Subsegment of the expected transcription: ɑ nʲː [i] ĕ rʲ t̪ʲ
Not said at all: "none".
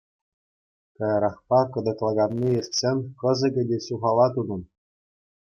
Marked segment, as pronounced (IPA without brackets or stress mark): i